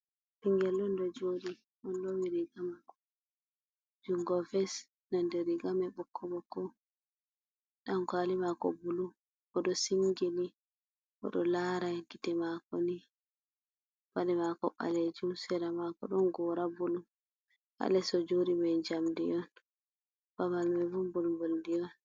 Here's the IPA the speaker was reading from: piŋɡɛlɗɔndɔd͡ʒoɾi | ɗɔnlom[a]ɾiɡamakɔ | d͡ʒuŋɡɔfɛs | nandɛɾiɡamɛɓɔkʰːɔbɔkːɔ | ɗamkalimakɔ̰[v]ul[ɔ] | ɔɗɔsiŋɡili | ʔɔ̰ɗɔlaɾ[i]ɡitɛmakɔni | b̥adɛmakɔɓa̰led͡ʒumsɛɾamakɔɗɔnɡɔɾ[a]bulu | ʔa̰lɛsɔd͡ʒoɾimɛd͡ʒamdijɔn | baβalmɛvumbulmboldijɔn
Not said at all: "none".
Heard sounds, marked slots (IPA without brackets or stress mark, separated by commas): i, b, u, a, a